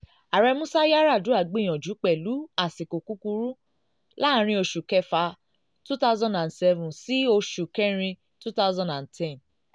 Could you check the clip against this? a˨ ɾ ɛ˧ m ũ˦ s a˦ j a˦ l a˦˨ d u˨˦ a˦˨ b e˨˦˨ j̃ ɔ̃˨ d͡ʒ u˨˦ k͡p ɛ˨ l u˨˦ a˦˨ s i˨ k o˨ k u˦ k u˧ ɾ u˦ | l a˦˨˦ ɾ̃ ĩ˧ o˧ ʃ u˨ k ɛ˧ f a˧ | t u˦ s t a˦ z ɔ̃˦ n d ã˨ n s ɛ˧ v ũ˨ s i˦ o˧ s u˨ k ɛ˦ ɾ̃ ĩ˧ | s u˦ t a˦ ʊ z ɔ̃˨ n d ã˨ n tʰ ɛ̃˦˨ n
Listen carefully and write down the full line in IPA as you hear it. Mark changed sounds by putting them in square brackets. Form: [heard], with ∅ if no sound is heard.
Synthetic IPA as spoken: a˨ ɾ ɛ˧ m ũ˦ s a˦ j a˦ [ɾ] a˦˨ d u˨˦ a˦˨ [ɡ͡b] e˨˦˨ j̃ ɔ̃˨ d͡ʒ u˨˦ k͡p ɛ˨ l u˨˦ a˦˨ s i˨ k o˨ k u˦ k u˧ ɾ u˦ | l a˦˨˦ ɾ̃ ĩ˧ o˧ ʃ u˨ k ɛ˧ f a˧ | t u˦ [∅] t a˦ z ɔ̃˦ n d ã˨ n s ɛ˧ v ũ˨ s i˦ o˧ [ʃ] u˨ k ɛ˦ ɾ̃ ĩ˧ | [t] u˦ t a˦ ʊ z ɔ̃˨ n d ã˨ n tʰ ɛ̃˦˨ n